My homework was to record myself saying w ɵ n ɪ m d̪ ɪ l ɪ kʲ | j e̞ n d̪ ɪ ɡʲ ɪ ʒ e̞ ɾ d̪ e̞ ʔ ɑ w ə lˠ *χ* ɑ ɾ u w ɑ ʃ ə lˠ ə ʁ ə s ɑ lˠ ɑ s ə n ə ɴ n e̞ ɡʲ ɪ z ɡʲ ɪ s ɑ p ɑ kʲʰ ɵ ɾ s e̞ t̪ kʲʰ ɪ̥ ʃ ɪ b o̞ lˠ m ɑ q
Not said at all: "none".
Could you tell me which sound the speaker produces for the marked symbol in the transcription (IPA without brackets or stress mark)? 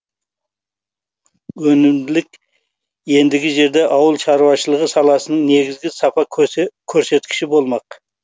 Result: ʃ